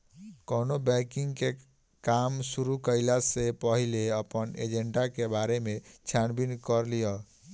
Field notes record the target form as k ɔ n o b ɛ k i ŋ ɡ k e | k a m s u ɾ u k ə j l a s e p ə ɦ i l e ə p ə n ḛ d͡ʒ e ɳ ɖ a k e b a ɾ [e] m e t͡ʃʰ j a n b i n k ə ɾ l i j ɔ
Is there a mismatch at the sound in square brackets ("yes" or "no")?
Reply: no